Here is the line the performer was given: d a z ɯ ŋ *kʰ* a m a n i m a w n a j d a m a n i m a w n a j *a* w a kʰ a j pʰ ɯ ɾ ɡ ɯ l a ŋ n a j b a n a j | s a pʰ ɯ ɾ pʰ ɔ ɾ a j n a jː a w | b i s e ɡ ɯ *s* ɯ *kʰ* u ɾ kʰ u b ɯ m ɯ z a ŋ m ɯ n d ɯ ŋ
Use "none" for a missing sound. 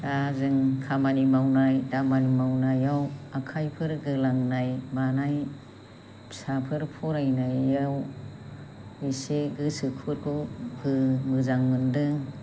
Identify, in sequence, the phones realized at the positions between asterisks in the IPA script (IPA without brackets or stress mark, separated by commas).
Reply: kʰ, a, s, kʰ